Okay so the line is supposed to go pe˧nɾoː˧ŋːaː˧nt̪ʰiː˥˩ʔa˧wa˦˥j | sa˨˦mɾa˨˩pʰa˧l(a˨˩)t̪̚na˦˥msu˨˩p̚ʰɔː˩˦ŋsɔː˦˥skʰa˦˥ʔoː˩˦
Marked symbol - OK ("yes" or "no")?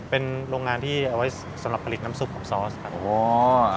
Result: no